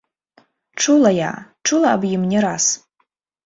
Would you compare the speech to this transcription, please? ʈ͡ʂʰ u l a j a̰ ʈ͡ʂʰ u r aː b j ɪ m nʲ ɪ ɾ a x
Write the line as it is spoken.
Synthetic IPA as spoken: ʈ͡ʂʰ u l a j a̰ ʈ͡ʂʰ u l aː b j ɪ m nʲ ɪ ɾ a s